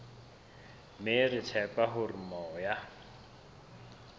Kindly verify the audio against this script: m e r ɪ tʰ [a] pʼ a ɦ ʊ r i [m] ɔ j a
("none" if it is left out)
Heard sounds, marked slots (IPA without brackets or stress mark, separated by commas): ɛ, m